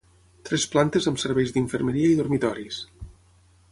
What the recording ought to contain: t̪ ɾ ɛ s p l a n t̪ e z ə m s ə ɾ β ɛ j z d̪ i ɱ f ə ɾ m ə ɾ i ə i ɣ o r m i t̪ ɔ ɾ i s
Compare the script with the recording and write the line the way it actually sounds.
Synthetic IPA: t̪ ɾ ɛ s p l a n t̪ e z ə m s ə ɾ β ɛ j z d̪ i ɱ f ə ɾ m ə ɾ i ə i ð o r m i t̪ ɔ ɾ i s

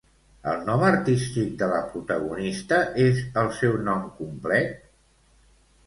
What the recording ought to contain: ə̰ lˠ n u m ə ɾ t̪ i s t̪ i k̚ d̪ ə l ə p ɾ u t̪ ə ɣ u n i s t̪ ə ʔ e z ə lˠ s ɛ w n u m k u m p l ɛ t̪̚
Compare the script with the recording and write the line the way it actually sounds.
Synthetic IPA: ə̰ lˠ n ɔ m ə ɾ t̪ i s t̪ i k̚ d̪ ə l ə p ɾ u t̪ ə ɣ u n i s t̪ ə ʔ e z ə lˠ s ɛ w n ɔ m k u m p l ɛ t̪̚

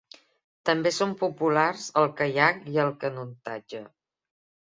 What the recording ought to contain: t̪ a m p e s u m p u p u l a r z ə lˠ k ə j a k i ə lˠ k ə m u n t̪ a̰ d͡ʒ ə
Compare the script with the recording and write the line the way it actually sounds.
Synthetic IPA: t̪ ə m b e s o m p u p u l a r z ə lˠ k ə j a k i ə lˠ k ə n u n t̪ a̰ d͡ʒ ə

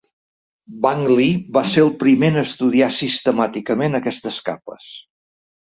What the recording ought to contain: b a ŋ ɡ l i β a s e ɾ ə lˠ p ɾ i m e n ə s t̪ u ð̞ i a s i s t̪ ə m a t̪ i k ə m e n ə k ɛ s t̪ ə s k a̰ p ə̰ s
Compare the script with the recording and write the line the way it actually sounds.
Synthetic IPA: b a ŋ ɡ l i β a s e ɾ ə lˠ p ɾ i m e n ə s t̪ u ð̞ i a s i s t̪ ə m a t̪ i k ə m e n ə k ɛ s t̪ ə s k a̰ p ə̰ s

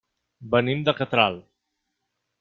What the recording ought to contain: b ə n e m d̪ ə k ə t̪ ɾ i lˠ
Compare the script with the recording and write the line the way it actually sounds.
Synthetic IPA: b ə n i m d̪ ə k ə t̪ ɾ a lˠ

